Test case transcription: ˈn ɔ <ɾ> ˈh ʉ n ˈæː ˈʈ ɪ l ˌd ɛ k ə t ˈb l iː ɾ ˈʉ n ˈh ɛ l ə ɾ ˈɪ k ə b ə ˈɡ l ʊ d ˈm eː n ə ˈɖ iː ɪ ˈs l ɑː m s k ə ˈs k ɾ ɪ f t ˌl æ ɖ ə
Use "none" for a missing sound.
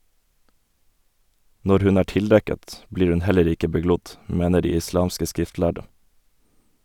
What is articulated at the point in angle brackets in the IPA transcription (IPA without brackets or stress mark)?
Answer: ɾ